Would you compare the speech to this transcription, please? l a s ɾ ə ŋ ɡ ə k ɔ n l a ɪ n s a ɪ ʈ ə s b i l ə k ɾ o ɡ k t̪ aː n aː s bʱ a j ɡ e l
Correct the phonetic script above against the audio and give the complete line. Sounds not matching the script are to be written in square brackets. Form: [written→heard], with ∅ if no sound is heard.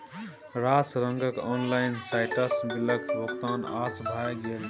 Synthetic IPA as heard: [l→ɾ] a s ɾ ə ŋ ɡ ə k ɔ n l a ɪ n s a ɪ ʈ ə s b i l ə k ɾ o [ɡ→∅] k t̪ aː n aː s bʱ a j ɡ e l